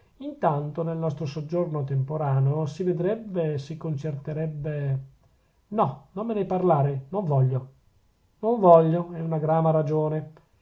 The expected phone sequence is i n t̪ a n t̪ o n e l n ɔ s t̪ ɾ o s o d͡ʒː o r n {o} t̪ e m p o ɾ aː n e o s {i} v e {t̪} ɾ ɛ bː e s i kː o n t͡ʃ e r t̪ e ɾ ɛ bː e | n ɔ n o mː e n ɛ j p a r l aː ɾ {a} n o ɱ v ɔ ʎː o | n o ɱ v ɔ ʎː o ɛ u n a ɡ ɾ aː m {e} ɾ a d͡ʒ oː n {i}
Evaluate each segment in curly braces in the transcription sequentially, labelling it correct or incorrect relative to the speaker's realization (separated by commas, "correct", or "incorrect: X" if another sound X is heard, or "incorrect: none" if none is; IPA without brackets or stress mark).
correct, correct, incorrect: d̪, incorrect: e, incorrect: a, incorrect: e